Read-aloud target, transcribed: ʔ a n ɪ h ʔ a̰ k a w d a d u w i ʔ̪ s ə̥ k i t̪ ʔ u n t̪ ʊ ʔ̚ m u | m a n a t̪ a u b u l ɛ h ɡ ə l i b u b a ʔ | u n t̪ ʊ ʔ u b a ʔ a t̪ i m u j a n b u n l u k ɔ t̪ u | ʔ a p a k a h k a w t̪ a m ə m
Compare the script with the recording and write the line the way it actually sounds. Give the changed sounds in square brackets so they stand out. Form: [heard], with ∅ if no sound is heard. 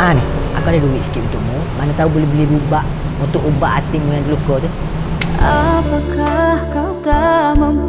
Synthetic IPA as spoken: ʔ a n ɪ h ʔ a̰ k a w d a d u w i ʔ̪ s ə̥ k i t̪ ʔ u n t̪ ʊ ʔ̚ m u | m a n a t̪ a u b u l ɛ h [b] ə l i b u b a ʔ | u n t̪ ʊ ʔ u b a ʔ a t̪ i m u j a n [d] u [∅] l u k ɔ t̪ u | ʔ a p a k a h k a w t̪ a m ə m